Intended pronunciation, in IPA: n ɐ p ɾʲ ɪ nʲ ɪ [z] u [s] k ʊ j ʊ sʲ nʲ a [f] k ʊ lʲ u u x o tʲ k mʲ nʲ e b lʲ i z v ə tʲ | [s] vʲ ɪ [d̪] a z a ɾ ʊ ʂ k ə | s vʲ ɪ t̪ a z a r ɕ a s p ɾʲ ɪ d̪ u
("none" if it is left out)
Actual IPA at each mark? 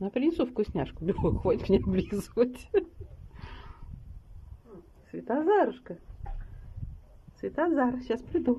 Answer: s, f, ʂ, s, t̪

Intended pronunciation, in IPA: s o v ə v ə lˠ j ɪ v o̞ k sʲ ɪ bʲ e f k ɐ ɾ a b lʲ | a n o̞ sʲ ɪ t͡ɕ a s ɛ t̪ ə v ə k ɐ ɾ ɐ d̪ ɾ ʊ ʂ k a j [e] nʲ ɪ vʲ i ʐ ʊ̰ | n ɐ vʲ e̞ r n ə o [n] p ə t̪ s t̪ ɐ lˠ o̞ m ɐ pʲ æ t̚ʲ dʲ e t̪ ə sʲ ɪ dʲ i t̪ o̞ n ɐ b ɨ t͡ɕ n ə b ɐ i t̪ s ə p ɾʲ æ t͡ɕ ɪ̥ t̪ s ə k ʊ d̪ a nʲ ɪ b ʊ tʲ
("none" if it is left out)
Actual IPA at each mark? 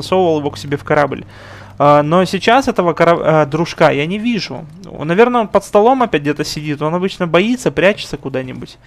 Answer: a, n

